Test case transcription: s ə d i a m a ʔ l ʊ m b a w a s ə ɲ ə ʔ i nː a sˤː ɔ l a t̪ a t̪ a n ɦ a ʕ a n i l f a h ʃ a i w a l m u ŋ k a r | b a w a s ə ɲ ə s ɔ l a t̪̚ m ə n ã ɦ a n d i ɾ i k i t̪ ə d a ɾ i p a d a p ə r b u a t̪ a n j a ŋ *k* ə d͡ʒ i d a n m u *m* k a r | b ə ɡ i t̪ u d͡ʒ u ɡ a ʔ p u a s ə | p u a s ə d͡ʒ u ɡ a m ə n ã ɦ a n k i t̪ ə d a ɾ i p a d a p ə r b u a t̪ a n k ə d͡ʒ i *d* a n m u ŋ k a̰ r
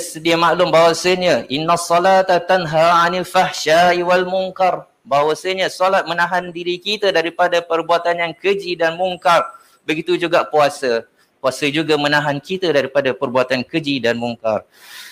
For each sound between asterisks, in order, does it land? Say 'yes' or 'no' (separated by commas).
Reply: yes, no, yes